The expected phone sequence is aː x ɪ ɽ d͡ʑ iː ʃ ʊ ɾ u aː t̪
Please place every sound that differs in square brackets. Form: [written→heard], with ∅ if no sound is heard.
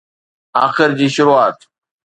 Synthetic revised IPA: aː x ɪ [ɽ→ɾ] d͡ʑ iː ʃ ʊ ɾ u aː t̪